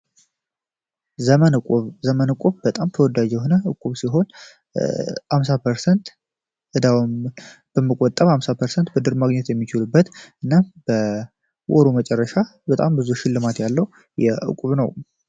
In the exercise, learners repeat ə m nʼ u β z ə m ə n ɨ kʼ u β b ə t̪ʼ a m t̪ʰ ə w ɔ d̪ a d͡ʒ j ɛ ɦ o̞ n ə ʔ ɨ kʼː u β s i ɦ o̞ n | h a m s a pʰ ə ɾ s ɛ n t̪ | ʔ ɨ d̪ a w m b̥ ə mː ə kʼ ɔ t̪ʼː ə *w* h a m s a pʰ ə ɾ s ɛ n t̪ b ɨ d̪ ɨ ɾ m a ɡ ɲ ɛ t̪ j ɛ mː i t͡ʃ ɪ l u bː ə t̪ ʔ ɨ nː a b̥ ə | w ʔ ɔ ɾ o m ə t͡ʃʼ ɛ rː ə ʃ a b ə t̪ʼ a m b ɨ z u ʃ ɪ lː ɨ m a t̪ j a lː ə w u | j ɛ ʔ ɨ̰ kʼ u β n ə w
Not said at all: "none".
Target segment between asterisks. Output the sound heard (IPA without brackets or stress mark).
β